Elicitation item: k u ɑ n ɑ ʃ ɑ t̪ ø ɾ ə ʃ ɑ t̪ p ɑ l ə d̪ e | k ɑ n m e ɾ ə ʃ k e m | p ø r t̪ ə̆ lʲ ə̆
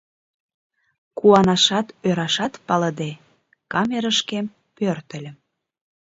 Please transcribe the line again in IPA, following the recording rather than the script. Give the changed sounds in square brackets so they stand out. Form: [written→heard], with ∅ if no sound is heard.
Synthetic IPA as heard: k u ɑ n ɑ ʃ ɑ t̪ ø ɾ [ə→ɑ] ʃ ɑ t̪ p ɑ l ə d̪ e | k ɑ [n→∅] m e ɾ ə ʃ k e m | p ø r t̪ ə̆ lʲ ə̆